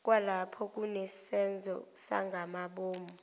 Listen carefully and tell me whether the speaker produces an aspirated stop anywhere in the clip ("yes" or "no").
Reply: yes